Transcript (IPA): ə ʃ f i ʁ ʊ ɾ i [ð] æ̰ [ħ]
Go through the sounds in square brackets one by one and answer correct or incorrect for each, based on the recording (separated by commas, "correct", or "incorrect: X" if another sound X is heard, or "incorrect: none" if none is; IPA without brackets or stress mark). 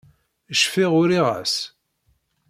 incorrect: ʁ, incorrect: s